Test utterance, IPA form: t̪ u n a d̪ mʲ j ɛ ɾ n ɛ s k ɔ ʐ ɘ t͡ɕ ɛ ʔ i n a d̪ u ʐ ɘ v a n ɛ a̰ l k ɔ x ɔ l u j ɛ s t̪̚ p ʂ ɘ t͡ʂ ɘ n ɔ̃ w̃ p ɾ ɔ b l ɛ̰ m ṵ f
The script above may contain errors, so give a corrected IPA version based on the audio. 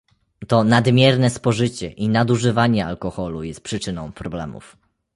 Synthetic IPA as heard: t̪ ɔ n a d̪ mʲ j ɛ ɾ n ɛ s p ɔ ʐ ɘ t͡ɕ ɛ ʔ i n a d̪ u ʐ ɘ v a ɲ ɛ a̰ l k ɔ x ɔ l u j ɛ s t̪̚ p ʂ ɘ t͡ʂ ɘ n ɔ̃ w̃ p ɾ ɔ b l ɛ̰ m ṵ f